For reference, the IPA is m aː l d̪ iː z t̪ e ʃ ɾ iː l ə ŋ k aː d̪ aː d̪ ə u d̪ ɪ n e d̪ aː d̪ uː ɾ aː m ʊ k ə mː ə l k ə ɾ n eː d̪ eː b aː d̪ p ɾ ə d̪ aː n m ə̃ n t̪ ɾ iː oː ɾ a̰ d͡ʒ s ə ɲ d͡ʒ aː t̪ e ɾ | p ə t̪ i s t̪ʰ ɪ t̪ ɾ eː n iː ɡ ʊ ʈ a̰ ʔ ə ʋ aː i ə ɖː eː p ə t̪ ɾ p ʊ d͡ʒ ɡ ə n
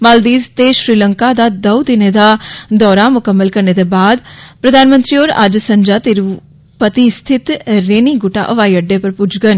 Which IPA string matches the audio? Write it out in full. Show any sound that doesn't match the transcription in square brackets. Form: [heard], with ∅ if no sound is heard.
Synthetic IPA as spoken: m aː l d̪ iː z t̪ e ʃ ɾ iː l ə ŋ k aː d̪ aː d̪ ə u d̪ ɪ n e d̪ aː d̪ [ɔː] ɾ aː m ʊ k ə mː ə l k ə ɾ n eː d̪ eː b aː d̪ p ɾ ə d̪ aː n m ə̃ n t̪ ɾ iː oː ɾ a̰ d͡ʒ s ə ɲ d͡ʒ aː t̪ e ɾ | p ə t̪ i s t̪ʰ ɪ t̪ ɾ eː n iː ɡ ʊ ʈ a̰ ʔ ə ʋ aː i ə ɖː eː p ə [∅] ɾ p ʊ d͡ʒ ɡ ə n